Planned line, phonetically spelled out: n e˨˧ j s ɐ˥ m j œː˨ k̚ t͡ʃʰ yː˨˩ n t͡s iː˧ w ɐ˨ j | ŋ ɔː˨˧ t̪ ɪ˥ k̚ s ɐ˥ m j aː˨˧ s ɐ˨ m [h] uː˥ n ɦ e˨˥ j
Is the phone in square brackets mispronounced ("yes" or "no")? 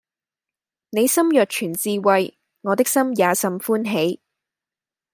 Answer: yes